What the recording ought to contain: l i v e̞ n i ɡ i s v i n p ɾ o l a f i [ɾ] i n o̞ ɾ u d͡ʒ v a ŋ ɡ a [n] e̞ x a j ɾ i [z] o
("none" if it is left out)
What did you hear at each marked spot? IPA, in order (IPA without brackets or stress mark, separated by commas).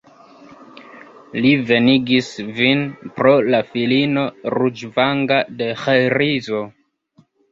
l, d, z